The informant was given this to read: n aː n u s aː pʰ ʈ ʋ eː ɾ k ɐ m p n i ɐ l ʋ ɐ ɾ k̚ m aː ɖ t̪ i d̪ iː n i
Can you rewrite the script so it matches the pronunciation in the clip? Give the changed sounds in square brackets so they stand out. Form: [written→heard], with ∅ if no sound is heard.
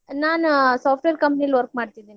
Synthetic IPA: n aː n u s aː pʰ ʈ ʋ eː ɾ k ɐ m p n i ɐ l ʋ ɐ ɾ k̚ m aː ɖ t̪ i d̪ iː n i